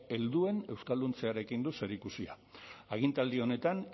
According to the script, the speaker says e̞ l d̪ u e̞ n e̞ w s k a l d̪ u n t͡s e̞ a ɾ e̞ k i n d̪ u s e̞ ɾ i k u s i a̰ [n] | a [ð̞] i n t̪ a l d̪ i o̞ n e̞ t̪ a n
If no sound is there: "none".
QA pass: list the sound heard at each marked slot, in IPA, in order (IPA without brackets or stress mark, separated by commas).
none, ɣ̞